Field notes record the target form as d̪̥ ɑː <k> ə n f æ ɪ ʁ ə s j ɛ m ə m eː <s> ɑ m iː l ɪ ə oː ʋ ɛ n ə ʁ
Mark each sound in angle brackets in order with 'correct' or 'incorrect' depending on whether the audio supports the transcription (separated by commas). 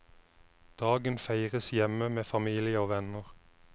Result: incorrect, incorrect